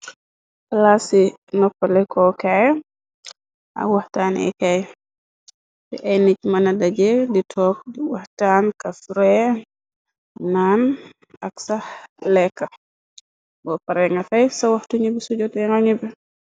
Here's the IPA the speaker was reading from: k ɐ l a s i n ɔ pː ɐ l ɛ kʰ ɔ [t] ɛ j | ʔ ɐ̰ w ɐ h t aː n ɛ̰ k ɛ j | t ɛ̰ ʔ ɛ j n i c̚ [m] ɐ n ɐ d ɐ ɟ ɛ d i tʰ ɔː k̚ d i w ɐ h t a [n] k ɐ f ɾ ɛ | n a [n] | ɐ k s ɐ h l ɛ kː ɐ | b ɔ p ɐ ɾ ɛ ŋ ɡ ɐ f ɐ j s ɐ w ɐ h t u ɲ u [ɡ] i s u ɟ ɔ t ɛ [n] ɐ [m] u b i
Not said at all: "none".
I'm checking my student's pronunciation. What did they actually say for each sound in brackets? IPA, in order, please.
k, m, n, n, b, ŋ, ɲ

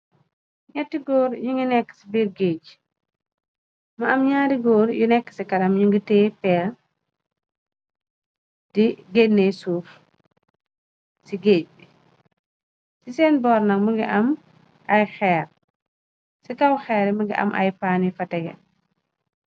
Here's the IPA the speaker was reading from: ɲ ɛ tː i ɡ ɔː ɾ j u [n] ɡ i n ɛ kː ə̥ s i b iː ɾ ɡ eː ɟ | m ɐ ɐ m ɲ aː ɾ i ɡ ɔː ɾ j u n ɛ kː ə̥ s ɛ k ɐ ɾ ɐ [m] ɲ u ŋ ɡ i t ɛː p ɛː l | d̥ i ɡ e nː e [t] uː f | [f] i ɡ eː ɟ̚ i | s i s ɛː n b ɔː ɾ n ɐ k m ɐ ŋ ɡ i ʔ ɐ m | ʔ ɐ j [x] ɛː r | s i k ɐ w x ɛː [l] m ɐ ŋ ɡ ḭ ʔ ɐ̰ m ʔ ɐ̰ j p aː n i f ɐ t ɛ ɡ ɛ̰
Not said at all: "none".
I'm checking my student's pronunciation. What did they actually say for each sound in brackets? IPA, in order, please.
ŋ, m, s, s, x, ɾ

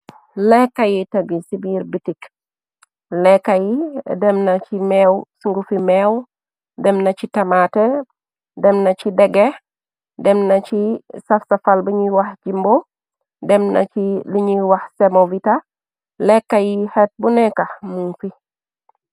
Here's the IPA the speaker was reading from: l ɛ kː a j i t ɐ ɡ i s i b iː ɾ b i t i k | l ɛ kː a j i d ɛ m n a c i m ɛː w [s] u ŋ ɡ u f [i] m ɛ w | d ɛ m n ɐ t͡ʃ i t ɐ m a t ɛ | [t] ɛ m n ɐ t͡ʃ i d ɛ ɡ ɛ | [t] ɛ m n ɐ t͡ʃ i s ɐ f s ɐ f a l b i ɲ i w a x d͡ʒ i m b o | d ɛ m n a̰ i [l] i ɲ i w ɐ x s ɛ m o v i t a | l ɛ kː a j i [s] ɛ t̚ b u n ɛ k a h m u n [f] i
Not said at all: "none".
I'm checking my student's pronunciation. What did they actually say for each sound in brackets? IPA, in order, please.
s, i, d, d, l, h, f

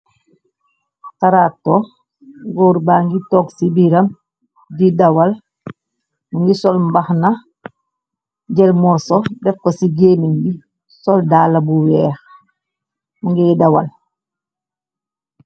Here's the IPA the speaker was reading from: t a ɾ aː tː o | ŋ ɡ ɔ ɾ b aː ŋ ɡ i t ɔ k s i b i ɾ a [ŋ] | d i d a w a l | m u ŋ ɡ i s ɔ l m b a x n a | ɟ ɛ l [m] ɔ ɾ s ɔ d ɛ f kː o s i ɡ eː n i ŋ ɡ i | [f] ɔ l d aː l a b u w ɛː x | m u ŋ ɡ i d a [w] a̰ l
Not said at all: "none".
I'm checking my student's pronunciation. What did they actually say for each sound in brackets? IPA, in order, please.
m, m, s, w

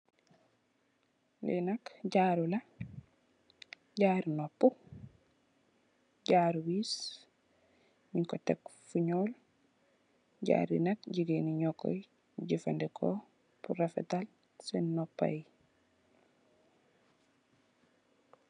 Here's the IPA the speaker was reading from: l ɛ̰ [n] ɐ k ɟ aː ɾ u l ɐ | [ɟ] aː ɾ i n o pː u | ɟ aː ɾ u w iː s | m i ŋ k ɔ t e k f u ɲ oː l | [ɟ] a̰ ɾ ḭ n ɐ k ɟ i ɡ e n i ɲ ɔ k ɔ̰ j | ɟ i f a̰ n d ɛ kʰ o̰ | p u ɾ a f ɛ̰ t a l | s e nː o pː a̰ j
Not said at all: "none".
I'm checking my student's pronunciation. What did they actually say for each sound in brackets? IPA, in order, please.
n, ɟ, ɟ

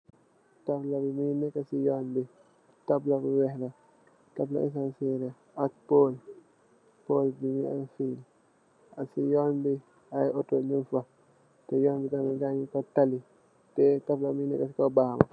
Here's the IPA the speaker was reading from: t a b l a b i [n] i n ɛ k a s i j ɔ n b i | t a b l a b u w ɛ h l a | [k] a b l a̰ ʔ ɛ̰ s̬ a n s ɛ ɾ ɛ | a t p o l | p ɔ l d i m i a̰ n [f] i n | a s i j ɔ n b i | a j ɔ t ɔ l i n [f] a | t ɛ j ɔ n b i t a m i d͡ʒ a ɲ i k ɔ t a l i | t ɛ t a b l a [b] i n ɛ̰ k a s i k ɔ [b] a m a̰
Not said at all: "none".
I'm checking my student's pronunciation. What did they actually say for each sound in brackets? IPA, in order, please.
m, t, f, f, m, b

